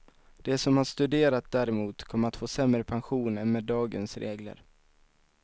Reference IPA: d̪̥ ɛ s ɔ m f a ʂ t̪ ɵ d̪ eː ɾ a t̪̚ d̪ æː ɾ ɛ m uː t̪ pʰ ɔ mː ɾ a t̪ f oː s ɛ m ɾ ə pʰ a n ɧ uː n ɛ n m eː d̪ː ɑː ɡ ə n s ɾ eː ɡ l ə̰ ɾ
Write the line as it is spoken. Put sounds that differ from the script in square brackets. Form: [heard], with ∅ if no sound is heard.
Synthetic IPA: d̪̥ ɛ s ɔ m [h] a ʂ t̪ ɵ d̪ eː ɾ a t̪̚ d̪ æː ɾ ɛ m uː t̪ [kʰ] ɔ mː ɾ a t̪ f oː s ɛ m ɾ ə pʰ a n ɧ uː n ɛ n m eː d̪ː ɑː ɡ ə n s ɾ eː ɡ l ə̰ ɾ